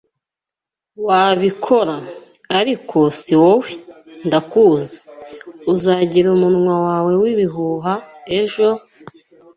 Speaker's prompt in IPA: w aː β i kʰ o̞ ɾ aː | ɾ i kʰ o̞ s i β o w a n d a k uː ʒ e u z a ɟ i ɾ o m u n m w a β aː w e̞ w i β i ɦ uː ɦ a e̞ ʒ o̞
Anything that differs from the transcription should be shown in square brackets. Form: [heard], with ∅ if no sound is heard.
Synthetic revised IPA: w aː β i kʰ o̞ ɾ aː | ɾ i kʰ o̞ s i [w] o w [i] n d a k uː [z] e u z a ɟ i ɾ [u] m u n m w a [w] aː w e̞ w i β i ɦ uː ɦ a e̞ ʒ o̞